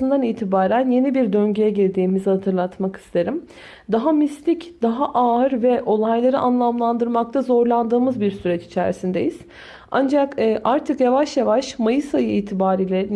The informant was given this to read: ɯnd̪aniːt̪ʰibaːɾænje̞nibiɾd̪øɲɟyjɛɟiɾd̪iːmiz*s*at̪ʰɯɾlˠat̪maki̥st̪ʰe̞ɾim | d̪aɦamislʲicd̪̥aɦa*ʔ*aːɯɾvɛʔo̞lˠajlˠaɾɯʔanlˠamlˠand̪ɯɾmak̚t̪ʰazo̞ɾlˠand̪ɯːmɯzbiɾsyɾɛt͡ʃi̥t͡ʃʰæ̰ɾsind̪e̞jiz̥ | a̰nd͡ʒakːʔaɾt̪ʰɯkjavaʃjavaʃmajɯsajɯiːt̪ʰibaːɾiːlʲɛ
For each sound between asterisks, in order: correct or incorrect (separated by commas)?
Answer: incorrect, correct